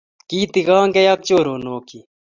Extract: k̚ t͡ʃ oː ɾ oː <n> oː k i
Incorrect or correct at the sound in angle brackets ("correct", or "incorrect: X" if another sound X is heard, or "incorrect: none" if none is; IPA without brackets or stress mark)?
correct